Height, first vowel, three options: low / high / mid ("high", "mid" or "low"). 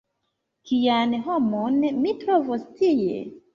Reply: high